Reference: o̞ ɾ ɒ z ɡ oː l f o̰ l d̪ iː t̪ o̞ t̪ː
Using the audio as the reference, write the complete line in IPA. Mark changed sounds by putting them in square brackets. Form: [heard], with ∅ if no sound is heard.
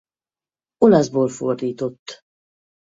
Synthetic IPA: o̞ [l] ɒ z [b] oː l f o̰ [r] d̪ iː t̪ o̞ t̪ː